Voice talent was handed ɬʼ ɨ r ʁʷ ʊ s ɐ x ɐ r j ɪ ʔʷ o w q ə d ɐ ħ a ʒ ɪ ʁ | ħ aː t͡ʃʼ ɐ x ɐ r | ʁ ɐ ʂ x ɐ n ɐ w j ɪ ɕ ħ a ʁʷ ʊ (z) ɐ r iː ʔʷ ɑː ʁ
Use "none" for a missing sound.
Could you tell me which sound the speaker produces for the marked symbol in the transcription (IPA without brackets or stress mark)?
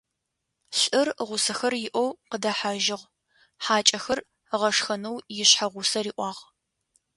s